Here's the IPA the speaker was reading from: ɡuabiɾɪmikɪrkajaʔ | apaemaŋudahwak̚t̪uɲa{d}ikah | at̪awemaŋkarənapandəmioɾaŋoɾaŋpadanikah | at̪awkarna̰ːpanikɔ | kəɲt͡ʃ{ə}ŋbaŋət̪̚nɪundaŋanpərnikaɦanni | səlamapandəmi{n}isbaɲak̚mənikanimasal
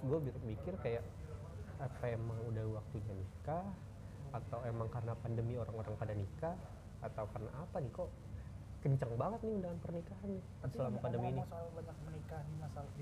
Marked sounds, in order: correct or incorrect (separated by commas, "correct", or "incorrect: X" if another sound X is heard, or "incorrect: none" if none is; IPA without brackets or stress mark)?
incorrect: n, incorrect: a, correct